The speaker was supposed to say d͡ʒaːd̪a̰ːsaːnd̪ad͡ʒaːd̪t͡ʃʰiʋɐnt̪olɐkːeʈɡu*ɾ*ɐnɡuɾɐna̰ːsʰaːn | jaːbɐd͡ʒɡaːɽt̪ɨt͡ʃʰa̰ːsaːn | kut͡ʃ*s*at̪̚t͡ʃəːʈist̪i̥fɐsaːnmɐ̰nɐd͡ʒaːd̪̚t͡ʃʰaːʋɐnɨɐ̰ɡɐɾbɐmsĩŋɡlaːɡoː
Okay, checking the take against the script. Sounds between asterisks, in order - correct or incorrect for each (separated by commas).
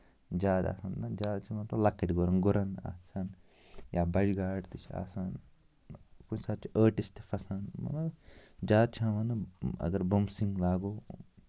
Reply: correct, correct